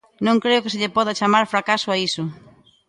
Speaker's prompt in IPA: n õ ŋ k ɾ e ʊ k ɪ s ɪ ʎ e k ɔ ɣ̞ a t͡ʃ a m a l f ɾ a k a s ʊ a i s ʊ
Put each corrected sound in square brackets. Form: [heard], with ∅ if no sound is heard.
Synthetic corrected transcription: n õ ŋ k ɾ e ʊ k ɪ s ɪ ʎ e [p] ɔ [ð̞] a t͡ʃ a m a [ɾ] f ɾ a k a s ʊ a i s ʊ

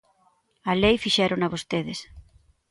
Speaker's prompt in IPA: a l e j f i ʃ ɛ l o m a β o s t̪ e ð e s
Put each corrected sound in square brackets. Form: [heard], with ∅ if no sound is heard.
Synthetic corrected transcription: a l e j f i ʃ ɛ [ɾ] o [n] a β o s t̪ e ð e s

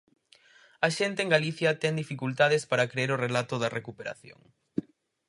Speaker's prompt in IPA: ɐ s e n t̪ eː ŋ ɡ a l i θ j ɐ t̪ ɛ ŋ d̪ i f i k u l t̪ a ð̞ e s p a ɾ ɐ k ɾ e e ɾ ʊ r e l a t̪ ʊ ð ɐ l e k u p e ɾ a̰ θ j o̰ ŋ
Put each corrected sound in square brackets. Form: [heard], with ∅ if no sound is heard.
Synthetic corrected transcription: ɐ [ʃ] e n t̪ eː ŋ ɡ a l i θ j ɐ t̪ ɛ ŋ d̪ i f i k u l t̪ a ð̞ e s p a ɾ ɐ k ɾ e e ɾ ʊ r e l a t̪ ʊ ð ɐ [r] e k u p e ɾ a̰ θ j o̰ ŋ

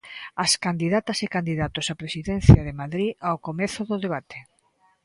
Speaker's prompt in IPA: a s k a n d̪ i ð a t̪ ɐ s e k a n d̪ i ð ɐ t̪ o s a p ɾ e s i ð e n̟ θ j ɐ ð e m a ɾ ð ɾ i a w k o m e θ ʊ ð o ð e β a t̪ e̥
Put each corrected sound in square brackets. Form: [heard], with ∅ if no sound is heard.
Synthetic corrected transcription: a s k a n d̪ i ð a t̪ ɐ s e k a n d̪ i ð [a] t̪ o s a p ɾ e s i ð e n̟ θ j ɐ ð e m a [∅] ð ɾ i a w k o m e θ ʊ ð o ð e β a t̪ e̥

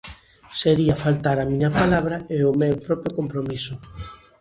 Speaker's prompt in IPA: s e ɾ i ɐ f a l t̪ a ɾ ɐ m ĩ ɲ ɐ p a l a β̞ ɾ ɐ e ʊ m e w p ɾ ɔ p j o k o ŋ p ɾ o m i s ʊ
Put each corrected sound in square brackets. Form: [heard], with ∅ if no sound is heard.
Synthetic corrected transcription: s e ɾ i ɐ f a l t̪ a ɾ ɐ m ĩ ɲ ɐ p a l a β̞ ɾ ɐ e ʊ m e w p ɾ ɔ p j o k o [m] p ɾ o m i s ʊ

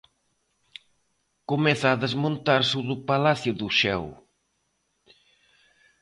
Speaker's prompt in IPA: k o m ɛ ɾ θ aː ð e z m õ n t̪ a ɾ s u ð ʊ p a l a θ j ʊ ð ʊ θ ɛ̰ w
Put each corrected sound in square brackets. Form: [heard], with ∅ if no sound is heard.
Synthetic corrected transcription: k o m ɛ [∅] θ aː ð e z m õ n t̪ a ɾ s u ð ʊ p a l a θ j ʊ ð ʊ [ʃ] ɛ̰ w

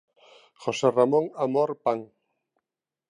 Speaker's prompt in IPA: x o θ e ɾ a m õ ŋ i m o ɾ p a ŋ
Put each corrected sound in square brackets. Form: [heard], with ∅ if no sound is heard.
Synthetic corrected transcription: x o [s] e [r] a m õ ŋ [a] m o ɾ p a ŋ

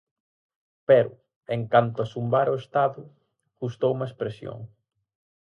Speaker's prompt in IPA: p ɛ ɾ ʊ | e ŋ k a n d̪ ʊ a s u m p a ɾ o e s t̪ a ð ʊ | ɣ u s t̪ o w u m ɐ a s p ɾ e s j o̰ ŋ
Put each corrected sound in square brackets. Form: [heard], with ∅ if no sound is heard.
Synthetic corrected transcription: p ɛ ɾ ʊ | e ŋ k a n [t̪] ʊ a s u m [b] a ɾ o e s t̪ a ð ʊ | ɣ u s t̪ o w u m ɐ [e] s p ɾ e s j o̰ ŋ

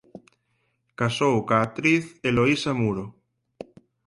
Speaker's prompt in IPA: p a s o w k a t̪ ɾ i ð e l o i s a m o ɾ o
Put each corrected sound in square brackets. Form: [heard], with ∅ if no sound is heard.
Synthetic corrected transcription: [k] a s o w k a t̪ ɾ i [θ] e l o i s a m [u] ɾ o

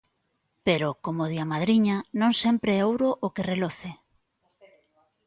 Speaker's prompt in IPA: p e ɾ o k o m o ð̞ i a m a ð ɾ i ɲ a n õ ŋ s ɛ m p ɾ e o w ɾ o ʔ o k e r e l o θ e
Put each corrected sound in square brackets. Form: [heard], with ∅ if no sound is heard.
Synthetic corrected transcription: p e ɾ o k o m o ð̞ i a m a ð ɾ i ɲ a n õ ŋ s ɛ m p ɾ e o w ɾ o ʔ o k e r e l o θ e

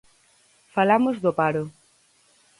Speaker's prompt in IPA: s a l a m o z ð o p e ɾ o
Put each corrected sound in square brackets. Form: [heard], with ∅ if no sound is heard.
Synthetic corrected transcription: [f] a l a m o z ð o p [a] ɾ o

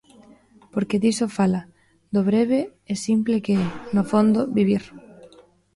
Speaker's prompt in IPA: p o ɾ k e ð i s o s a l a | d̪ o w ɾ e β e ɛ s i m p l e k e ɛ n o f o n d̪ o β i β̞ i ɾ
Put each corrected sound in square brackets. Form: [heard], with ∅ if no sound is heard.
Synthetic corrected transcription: p o ɾ k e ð i s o [f] a l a | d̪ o [β] ɾ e β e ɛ s i m p l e k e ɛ n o f o n d̪ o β i β̞ i ɾ

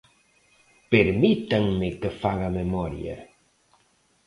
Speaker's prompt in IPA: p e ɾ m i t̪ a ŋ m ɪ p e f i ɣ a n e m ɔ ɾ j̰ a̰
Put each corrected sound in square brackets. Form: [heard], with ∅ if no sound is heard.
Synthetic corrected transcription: p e ɾ m i t̪ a ŋ m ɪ [k] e f [a] ɣ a [m] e m ɔ ɾ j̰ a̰

